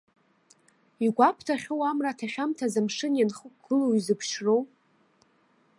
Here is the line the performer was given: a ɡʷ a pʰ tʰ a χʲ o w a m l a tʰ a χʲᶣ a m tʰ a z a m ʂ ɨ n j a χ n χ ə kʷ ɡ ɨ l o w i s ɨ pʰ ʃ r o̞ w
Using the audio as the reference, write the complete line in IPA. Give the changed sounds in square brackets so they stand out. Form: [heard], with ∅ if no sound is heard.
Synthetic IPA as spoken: [i] ɡʷ a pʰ tʰ a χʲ o w a m [r] a tʰ a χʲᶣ a m tʰ a z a m ʂ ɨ n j a [∅] n χ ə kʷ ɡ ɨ l o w i [z] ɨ pʰ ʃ r o̞ w